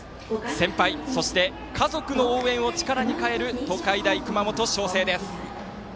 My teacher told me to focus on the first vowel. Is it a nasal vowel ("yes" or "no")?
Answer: yes